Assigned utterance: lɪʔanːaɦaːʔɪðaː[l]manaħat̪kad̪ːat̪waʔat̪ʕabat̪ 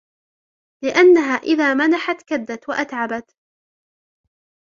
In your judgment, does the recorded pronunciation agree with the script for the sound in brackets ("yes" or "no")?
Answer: no